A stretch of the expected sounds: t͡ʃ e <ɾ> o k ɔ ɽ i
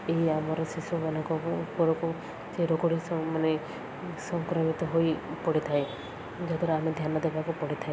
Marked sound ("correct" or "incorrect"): correct